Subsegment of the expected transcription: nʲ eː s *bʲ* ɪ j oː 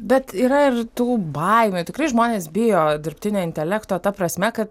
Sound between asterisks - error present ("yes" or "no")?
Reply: no